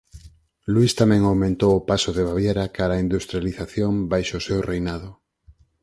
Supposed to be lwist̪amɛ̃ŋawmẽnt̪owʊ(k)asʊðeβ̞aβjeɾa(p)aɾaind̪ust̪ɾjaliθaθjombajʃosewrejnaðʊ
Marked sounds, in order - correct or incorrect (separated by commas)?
incorrect, incorrect